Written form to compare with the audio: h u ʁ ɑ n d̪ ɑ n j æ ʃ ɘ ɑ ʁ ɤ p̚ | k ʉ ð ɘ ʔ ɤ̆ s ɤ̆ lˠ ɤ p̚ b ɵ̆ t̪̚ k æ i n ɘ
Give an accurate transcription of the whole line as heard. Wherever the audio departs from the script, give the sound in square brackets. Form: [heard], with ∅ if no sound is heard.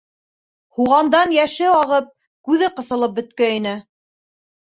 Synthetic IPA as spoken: h u ʁ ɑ n d̪ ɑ n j æ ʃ ɘ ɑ ʁ ɤ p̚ | k ʉ ð ɘ [q] ɤ̆ s ɤ̆ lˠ ɤ p̚ b ɵ̆ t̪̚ k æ i n ɘ